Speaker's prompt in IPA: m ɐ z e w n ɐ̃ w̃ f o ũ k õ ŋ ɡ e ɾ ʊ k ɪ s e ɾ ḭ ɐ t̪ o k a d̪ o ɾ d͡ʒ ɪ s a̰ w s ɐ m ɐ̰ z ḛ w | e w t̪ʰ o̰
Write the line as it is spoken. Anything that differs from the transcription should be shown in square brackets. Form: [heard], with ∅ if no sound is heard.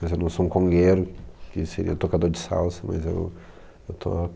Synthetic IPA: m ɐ z e w n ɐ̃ w̃ [s] o ũ k õ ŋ ɡ e ɾ ʊ k ɪ s e ɾ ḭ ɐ t̪ o k a d̪ o ɾ d͡ʒ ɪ s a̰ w s ɐ m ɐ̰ z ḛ w | e w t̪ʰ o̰